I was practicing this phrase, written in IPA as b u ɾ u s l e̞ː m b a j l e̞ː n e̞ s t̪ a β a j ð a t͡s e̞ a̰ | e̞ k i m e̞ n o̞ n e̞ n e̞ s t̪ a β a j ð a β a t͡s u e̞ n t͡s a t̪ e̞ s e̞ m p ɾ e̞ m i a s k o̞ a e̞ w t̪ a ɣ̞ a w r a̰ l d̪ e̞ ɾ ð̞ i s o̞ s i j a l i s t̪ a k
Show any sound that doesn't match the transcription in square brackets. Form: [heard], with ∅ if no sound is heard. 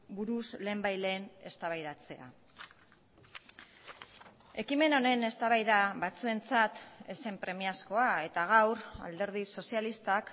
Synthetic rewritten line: b u ɾ u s l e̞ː m b a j l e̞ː n e̞ s t̪ a β a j ð a t͡s e̞ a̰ | e̞ k i m e̞ n o̞ n e̞ n e̞ s t̪ a β a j ð a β a t͡s u e̞ n t͡s a t̪ e̞ s e̞ m p ɾ e̞ m i a s k o̞ a e̞ [∅] t̪ a ɣ̞ a w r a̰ l d̪ e̞ ɾ ð̞ i s o̞ s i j a l i s t̪ a k